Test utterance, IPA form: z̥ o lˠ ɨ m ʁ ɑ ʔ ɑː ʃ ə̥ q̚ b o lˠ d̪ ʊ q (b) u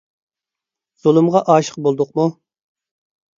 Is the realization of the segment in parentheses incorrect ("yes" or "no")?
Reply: yes